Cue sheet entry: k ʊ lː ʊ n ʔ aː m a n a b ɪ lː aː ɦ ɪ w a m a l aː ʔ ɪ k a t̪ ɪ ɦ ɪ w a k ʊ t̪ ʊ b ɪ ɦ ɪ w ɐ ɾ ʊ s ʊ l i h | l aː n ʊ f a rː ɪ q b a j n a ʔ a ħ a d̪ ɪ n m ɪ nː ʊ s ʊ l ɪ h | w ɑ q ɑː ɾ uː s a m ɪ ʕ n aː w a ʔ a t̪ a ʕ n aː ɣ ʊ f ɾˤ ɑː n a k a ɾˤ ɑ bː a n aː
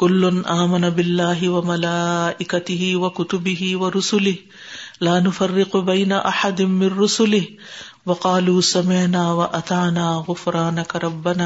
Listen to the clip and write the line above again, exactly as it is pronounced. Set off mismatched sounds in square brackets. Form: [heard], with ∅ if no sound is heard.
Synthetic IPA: k ʊ lː ʊ n ʔ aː m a n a b ɪ lː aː ɦ ɪ w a m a l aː ʔ ɪ k a t̪ ɪ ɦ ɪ w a k ʊ t̪ ʊ b ɪ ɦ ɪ w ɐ ɾ ʊ s ʊ l [ɪ] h | l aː n ʊ f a rː ɪ q b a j n a ʔ a ħ a d̪ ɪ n m ɪ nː ʊ s ʊ l ɪ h | w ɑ q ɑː [l] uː s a m ɪ ʕ n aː w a ʔ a t̪ a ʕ n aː ɣ ʊ f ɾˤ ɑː n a k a ɾˤ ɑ bː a n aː